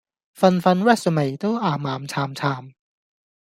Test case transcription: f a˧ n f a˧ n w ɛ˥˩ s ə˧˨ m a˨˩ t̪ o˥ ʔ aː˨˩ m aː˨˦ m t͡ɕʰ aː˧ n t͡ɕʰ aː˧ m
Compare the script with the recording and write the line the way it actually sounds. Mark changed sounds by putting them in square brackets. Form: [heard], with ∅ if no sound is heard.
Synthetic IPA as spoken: f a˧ n f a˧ n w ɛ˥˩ s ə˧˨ m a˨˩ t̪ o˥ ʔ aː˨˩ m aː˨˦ m t͡ɕʰ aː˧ [m] t͡ɕʰ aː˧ m